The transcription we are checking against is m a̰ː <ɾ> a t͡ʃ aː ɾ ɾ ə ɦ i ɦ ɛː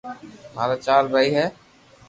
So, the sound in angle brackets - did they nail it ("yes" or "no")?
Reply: yes